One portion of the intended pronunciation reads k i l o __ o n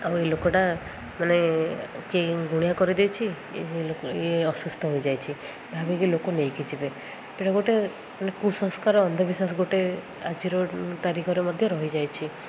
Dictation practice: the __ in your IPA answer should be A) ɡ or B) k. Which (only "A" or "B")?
B